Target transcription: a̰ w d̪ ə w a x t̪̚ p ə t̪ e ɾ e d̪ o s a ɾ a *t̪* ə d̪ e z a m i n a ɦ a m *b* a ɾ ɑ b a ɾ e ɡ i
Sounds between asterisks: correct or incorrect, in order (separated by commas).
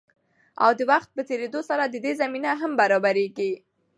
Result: incorrect, correct